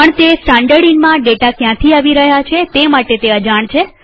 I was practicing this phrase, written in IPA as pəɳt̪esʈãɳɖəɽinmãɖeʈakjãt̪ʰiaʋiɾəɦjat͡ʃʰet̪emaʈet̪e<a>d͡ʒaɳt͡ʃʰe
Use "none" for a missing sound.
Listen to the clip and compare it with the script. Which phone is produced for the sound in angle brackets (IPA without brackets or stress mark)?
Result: ə